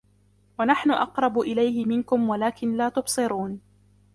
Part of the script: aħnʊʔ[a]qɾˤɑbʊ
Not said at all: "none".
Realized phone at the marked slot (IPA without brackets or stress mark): ɑ